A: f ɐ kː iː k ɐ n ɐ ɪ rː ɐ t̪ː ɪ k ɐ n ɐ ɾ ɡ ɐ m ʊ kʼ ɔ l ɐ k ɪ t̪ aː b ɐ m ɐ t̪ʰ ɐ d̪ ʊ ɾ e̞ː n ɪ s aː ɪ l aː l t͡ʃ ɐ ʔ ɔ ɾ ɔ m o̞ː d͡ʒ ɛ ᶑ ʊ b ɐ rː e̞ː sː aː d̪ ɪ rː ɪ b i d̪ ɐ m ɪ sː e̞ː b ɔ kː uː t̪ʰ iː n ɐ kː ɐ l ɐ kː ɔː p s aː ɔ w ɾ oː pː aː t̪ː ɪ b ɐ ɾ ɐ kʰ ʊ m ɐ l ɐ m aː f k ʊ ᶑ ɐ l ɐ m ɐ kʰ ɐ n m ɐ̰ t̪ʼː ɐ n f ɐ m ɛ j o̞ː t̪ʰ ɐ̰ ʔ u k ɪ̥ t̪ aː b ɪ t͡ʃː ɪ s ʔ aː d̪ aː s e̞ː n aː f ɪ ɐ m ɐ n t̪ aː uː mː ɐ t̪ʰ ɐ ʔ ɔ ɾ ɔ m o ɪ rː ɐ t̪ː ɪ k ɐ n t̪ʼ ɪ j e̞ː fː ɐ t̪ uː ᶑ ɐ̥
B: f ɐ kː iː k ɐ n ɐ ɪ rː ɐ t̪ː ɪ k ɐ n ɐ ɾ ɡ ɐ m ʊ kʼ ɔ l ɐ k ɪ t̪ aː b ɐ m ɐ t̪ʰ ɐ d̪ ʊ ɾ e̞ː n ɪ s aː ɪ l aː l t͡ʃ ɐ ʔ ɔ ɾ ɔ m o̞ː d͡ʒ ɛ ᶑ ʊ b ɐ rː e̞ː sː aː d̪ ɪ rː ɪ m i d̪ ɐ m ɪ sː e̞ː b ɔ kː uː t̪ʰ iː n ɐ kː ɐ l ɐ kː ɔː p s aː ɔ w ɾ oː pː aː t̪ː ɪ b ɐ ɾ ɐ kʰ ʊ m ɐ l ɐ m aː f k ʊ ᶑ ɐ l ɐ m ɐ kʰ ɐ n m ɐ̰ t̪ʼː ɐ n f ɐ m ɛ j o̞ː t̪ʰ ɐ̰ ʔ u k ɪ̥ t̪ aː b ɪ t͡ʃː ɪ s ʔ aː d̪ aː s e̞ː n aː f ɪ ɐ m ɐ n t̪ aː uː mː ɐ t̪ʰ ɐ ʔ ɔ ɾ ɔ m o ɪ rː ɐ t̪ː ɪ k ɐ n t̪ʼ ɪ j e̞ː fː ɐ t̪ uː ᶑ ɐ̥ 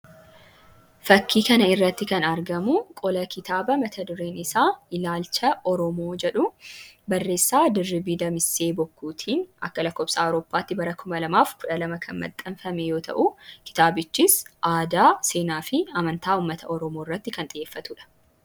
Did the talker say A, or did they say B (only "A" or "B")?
A